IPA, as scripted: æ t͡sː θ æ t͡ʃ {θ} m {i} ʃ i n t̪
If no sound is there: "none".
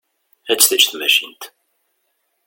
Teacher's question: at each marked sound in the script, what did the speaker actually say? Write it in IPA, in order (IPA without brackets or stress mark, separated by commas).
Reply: θ, æ